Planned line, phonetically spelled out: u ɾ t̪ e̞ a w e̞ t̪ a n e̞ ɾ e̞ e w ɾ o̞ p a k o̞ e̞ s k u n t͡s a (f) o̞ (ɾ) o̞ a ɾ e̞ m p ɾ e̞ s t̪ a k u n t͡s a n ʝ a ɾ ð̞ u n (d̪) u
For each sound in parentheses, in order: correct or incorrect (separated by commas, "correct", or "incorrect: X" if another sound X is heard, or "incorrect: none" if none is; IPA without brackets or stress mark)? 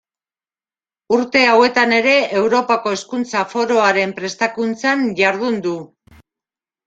correct, correct, correct